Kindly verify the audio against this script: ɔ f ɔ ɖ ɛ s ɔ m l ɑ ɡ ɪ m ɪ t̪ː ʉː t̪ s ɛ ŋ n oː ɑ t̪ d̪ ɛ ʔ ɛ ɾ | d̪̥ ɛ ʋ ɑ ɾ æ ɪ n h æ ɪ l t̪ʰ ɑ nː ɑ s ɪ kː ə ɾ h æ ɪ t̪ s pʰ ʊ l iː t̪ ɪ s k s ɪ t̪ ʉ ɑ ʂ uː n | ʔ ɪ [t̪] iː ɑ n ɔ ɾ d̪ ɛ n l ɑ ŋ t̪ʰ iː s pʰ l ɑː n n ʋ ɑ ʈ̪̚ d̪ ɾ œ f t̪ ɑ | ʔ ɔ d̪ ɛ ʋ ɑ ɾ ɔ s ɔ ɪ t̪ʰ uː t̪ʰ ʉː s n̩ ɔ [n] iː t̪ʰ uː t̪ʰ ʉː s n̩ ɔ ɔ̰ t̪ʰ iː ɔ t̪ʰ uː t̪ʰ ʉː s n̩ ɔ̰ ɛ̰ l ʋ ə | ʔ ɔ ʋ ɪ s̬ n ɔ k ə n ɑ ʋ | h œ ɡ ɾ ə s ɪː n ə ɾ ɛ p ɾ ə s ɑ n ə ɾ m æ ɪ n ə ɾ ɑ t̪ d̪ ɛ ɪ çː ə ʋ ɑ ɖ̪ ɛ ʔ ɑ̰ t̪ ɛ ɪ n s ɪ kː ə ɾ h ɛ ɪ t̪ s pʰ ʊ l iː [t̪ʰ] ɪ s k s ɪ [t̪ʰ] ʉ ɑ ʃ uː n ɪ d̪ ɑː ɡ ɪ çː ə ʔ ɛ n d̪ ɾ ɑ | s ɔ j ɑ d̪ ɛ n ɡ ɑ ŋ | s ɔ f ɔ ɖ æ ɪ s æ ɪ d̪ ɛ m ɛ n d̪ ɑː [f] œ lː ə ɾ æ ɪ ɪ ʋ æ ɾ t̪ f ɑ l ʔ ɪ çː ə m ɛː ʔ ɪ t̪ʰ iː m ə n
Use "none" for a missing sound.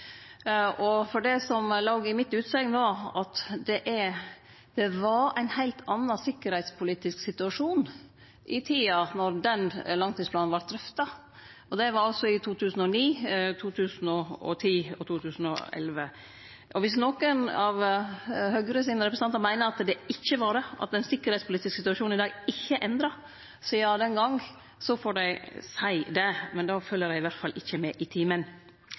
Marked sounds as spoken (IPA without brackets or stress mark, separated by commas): t̪ʰ, n, t̪, t̪, f